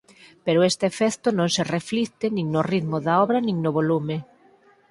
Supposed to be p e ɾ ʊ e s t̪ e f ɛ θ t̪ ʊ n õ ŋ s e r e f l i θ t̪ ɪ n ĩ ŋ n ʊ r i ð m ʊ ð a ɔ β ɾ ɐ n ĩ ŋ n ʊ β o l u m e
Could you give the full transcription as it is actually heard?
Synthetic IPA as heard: p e ɾ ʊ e s t̪ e f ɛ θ t̪ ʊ n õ ŋ s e r e f l i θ t̪ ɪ n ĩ ŋ n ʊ r i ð m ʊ ð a ɔ β ɾ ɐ n ĩ ŋ n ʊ β o l u m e